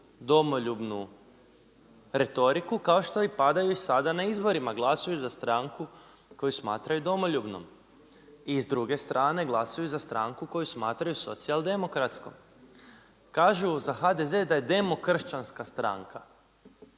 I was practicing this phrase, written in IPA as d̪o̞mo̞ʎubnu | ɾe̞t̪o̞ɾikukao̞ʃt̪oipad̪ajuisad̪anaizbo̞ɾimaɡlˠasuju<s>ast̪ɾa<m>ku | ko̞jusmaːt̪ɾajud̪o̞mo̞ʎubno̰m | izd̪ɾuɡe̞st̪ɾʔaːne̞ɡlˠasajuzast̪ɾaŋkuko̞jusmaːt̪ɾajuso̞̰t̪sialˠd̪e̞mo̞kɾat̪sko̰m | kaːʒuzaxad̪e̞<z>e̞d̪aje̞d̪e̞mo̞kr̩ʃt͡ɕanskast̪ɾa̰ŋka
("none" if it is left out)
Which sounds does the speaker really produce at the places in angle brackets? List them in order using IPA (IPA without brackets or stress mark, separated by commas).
z, ŋ, z